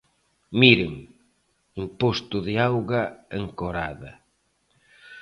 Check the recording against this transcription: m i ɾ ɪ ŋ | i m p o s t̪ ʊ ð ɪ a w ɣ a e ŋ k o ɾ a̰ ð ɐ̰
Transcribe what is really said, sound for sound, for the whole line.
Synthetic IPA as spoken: m i ɾ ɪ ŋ | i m p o s t̪ ʊ ð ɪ a w ɣ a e ŋ k o ɾ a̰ ð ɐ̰